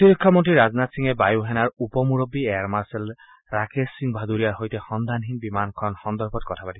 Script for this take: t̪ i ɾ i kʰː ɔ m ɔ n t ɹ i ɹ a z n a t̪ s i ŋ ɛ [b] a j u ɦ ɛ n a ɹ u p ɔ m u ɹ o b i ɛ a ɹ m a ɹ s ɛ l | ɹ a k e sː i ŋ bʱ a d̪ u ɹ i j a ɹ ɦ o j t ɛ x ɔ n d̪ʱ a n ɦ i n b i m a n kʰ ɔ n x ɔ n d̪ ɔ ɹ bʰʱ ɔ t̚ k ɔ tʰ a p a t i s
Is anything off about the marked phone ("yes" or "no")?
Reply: no